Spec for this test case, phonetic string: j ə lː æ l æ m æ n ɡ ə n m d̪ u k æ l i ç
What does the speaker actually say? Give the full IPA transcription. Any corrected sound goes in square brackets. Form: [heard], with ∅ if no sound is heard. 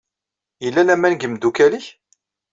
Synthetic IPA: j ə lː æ l æ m æ n ɡ ə [∅] m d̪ u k æ l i ç